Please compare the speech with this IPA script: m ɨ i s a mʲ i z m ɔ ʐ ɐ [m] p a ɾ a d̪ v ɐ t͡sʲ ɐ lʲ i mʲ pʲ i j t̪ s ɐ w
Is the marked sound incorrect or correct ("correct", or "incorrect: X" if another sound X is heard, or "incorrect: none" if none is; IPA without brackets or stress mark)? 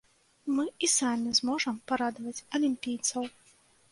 correct